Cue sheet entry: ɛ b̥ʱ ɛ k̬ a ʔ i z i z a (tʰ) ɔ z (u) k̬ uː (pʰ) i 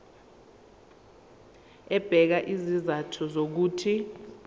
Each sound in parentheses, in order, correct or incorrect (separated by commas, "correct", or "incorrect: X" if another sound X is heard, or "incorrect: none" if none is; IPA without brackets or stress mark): correct, incorrect: o, incorrect: tʰ